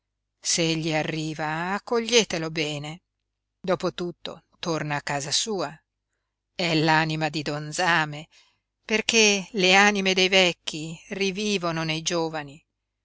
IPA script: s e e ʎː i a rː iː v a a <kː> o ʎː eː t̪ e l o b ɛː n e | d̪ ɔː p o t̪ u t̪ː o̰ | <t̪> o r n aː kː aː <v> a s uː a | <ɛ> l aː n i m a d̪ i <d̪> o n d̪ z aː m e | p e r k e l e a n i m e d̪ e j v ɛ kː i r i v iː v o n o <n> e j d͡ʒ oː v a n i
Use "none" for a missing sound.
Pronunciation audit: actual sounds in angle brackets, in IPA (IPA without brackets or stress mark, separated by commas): kː, t̪, z, ɛ, d̪, n